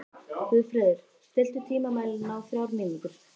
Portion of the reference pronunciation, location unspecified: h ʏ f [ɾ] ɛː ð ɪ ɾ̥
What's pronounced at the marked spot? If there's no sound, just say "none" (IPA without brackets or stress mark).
ɾ